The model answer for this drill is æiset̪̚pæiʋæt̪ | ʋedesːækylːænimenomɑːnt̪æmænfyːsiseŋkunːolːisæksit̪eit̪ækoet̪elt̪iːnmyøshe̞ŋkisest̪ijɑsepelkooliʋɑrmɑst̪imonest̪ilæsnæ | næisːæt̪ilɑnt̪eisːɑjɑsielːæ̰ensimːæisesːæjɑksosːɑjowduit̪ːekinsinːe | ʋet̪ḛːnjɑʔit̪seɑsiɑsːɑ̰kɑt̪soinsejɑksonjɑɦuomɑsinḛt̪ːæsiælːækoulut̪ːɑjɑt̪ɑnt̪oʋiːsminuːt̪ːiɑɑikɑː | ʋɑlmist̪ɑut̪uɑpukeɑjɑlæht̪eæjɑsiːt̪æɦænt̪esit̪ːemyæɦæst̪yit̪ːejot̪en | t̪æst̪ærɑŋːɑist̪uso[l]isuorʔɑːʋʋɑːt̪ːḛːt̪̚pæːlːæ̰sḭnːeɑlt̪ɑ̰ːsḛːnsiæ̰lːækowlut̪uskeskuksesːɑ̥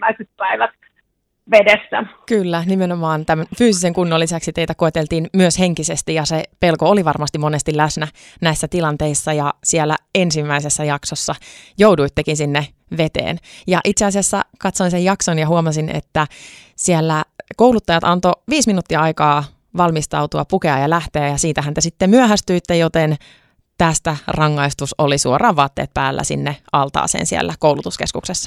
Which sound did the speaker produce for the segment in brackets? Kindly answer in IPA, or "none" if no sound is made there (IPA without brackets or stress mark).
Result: l